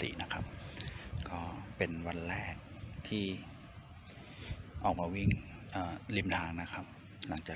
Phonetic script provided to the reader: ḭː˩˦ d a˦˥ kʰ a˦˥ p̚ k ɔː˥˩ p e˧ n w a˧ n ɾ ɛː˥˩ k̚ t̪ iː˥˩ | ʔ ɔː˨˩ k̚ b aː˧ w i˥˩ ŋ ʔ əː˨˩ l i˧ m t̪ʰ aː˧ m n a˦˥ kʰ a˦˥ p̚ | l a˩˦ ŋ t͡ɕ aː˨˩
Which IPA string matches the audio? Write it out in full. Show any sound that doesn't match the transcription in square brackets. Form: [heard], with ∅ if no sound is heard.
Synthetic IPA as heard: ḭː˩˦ [n] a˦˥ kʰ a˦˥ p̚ k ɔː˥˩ p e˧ n w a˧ n ɾ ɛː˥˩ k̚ [t̪ʰ] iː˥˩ | ʔ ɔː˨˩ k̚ [m] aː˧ w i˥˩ ŋ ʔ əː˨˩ l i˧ m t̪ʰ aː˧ [ŋ] n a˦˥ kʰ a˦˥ p̚ | l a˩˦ ŋ t͡ɕ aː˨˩

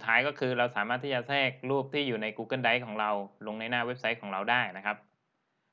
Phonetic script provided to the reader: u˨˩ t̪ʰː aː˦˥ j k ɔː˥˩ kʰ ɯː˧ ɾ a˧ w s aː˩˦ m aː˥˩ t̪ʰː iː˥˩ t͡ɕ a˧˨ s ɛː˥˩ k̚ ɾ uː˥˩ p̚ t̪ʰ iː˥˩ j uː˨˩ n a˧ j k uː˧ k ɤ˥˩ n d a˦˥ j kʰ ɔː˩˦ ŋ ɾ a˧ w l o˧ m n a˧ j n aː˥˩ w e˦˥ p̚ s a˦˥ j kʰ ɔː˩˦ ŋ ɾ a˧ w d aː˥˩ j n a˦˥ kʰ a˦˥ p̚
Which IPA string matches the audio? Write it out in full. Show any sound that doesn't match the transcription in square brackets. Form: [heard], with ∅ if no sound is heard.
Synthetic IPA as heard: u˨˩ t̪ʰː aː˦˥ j k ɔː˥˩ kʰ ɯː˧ ɾ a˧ w s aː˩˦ m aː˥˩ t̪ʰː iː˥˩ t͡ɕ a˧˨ s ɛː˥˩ k̚ ɾ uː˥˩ p̚ t̪ʰ iː˥˩ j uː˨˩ n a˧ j k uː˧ k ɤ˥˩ n d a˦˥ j kʰ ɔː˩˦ ŋ ɾ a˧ w l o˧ [ŋ] n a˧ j n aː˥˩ w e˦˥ p̚ s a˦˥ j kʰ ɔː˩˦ ŋ ɾ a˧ w d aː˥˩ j n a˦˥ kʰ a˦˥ p̚

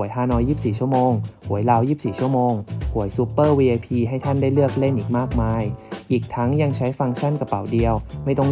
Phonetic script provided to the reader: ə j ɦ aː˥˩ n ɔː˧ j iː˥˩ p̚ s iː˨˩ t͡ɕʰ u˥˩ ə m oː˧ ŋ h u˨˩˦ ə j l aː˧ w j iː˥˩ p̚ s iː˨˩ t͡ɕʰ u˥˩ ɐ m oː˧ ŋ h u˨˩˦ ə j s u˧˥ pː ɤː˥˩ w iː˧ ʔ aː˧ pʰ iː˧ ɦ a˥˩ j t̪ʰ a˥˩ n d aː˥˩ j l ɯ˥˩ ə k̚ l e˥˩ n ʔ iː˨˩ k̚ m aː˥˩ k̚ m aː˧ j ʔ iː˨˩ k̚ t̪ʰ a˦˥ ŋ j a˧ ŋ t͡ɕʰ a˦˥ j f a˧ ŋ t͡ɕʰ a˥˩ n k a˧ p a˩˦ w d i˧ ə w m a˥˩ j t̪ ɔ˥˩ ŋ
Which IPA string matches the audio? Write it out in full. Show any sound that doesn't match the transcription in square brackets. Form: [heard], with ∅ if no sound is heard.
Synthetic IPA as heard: ə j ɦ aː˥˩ n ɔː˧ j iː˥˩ p̚ s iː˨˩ t͡ɕʰ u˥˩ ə m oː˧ ŋ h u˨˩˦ ə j l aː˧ w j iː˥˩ p̚ s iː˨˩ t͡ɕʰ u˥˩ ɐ m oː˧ ŋ h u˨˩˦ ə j s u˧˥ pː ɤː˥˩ w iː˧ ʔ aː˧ pʰ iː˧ ɦ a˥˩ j t̪ʰ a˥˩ n d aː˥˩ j l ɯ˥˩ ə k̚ l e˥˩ n ʔ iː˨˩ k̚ m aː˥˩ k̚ m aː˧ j ʔ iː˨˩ k̚ t̪ʰ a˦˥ ŋ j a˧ ŋ t͡ɕʰ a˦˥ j f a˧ ŋ t͡ɕʰ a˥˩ n k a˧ p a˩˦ w d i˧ ə w m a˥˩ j t̪ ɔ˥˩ ŋ

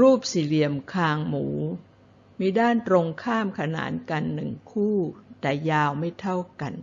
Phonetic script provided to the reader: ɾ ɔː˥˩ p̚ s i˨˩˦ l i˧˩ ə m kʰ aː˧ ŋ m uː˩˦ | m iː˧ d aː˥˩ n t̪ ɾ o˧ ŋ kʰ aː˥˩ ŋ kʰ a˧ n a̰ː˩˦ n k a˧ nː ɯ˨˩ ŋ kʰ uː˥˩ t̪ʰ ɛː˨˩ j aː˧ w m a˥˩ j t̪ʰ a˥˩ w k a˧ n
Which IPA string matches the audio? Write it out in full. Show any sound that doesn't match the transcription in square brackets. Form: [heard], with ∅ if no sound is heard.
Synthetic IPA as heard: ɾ [uː˥˩] p̚ s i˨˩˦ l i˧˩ ə m kʰ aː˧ ŋ m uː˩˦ | m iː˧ d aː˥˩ n t̪ ɾ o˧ ŋ kʰ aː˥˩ [m] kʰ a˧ n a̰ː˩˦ n k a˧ nː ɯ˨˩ ŋ kʰ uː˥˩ [t̪] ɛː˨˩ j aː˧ w m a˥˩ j t̪ʰ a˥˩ w k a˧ n

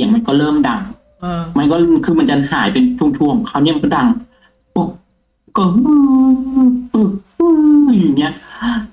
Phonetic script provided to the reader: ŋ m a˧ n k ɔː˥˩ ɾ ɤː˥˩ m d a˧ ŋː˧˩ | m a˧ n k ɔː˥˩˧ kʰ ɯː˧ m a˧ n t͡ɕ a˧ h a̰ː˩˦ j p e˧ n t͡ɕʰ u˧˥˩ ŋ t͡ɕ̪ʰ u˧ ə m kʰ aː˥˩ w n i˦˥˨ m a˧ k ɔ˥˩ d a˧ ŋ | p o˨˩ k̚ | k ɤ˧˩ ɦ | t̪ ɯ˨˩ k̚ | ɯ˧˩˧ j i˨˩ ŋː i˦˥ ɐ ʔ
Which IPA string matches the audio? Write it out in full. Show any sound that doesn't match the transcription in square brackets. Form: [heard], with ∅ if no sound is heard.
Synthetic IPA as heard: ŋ m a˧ n k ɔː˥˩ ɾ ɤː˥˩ m d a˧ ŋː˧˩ | m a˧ n k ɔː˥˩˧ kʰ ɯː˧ m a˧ n t͡ɕ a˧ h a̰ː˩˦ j p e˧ n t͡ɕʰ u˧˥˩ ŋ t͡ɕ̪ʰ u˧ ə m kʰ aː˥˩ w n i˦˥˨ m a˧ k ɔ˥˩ d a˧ ŋ | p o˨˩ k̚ | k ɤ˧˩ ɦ | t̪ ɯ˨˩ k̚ | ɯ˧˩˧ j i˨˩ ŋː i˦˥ ɐ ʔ

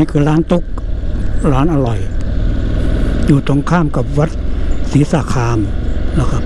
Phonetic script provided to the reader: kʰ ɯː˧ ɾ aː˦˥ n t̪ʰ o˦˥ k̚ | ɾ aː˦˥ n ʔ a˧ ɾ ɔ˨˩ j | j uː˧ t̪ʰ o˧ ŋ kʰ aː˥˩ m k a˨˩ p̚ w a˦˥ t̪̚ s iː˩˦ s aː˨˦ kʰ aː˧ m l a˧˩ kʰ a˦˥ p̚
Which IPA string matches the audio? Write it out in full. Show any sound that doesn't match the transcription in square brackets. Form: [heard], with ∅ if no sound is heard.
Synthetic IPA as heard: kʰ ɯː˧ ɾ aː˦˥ n [t̪] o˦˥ k̚ | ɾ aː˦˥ n ʔ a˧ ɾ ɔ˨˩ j | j [uː˨˩] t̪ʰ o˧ ŋ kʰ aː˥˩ m k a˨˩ p̚ w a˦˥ t̪̚ s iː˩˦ s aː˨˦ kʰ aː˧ m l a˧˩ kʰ a˦˥ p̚

